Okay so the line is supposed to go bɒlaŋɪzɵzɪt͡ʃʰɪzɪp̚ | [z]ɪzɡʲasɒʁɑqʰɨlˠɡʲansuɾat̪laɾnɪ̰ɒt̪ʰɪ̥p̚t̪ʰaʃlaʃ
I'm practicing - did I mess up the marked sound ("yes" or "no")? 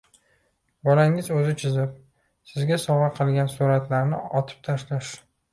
yes